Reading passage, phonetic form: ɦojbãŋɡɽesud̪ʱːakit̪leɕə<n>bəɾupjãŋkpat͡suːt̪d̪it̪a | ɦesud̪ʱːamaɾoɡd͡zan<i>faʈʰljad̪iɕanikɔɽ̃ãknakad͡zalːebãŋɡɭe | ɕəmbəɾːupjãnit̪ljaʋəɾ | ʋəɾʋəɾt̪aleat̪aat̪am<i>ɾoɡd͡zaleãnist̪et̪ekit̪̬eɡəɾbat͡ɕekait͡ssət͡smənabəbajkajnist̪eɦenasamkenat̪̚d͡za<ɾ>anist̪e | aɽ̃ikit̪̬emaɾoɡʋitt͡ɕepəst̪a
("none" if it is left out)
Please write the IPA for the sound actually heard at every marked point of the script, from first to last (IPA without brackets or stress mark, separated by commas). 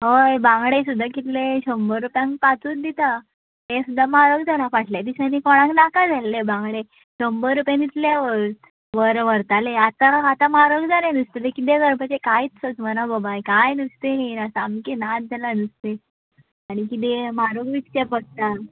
m, a, a, l